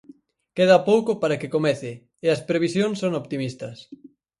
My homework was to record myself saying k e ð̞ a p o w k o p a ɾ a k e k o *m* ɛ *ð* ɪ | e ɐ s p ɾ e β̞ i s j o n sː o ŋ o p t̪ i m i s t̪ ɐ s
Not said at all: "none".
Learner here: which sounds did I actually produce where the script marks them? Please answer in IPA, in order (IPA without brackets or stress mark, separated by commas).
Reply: m, θ